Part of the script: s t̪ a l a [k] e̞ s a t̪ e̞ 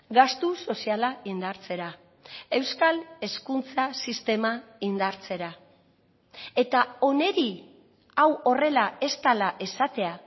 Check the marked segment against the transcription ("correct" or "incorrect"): incorrect